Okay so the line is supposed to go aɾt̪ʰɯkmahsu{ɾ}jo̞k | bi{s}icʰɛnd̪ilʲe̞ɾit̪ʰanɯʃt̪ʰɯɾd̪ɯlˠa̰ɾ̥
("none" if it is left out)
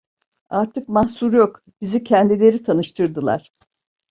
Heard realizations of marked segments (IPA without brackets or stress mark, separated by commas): ɾ, z